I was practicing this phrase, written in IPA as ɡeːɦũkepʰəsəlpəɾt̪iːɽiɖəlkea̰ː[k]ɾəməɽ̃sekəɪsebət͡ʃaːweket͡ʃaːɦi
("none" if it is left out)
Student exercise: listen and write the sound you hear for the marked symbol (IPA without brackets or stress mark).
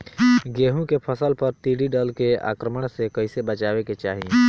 k